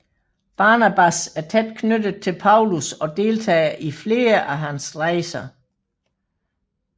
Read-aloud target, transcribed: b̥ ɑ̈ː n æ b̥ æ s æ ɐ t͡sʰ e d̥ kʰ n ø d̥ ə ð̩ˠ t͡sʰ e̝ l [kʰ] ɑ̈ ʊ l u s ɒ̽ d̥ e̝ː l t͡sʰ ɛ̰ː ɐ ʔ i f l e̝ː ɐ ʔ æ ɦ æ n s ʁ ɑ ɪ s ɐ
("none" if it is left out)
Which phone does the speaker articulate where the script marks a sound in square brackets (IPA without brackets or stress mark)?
pʰ